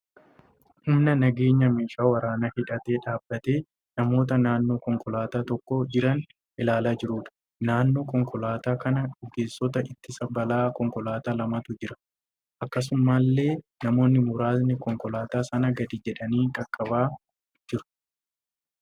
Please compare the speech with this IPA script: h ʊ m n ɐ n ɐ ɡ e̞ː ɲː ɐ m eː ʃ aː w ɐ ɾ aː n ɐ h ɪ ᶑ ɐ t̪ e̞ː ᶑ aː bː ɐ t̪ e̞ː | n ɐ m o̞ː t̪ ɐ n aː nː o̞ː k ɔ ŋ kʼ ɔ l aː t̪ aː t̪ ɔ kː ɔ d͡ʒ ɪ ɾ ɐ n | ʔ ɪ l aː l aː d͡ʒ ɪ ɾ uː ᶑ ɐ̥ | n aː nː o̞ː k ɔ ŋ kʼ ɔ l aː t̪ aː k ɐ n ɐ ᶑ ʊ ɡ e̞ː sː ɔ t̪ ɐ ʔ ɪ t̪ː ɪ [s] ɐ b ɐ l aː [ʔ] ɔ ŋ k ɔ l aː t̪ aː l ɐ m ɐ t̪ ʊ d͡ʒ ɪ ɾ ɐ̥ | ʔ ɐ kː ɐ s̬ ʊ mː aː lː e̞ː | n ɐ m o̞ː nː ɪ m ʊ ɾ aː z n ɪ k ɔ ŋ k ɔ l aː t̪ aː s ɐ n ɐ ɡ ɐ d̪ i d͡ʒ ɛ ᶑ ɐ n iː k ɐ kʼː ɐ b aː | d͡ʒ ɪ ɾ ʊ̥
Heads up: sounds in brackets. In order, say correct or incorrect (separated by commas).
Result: correct, incorrect